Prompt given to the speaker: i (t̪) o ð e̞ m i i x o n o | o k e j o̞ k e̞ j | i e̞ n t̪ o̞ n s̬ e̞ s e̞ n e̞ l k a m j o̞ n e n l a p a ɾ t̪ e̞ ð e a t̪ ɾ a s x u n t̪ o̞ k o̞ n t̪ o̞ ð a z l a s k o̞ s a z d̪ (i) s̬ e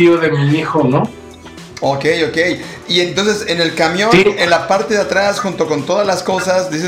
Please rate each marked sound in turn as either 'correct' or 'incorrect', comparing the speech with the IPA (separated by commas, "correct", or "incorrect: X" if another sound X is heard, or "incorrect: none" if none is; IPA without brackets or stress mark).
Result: incorrect: none, correct